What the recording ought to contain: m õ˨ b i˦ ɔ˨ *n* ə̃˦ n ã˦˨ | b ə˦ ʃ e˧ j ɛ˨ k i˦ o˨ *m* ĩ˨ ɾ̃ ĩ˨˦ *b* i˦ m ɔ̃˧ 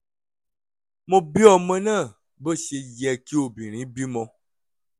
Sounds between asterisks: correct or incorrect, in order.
incorrect: m, incorrect: b, correct

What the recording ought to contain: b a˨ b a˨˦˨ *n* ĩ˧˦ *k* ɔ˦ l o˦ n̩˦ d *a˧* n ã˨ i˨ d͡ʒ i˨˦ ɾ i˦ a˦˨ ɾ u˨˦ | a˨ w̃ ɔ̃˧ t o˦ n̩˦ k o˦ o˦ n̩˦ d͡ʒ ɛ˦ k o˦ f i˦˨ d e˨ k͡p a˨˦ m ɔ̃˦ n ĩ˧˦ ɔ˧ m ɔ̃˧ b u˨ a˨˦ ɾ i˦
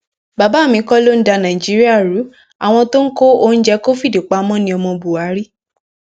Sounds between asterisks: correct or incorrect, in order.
incorrect: m, correct, correct

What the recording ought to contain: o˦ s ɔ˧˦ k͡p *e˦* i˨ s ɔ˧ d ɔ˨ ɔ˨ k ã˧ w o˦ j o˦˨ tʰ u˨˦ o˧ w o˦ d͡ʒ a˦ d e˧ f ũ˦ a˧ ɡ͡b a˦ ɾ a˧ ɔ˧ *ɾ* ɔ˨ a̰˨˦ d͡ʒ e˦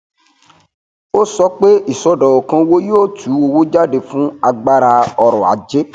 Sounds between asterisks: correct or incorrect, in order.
correct, correct

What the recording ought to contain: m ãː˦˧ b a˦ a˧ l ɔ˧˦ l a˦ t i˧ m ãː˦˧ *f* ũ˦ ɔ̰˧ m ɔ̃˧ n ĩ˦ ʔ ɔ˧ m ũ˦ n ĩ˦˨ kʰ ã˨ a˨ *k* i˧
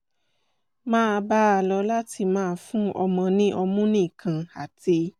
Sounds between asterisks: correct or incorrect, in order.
correct, incorrect: t

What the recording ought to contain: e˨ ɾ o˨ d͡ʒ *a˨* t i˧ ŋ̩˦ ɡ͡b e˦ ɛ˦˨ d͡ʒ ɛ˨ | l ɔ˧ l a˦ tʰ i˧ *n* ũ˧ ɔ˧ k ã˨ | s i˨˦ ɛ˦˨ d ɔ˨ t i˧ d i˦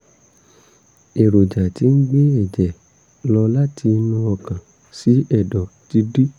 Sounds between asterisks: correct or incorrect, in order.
correct, correct

